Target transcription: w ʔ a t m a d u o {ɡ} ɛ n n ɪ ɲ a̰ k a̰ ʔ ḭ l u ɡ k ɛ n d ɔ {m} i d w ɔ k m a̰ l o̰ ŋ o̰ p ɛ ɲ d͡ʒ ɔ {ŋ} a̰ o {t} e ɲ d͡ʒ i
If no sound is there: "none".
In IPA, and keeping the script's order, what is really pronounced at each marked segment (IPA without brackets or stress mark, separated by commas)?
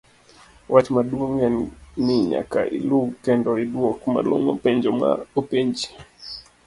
ŋ, none, m, p